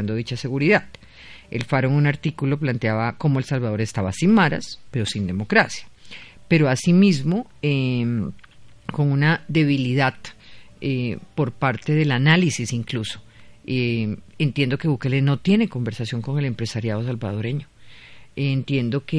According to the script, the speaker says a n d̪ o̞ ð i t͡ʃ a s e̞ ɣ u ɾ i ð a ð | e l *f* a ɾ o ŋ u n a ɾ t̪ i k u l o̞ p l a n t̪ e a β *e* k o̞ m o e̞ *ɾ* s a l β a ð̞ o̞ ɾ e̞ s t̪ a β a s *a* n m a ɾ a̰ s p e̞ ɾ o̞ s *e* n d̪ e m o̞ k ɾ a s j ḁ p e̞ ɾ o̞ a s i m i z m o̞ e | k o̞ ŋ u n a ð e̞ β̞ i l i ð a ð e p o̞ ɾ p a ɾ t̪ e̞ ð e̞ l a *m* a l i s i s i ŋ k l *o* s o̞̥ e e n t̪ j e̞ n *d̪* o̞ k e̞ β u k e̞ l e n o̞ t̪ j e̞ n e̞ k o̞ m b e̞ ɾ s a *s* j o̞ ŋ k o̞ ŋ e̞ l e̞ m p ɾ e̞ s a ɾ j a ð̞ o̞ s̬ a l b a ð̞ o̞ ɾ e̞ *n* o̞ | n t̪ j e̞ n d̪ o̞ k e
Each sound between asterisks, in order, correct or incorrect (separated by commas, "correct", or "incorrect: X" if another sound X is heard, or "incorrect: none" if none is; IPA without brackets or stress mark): correct, incorrect: a, incorrect: l, incorrect: i, incorrect: i, incorrect: n, incorrect: u, correct, correct, incorrect: ɲ